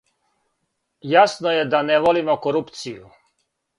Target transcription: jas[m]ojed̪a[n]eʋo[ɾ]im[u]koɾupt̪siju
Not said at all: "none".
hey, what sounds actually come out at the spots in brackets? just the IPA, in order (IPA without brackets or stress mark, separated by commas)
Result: n, n, l, o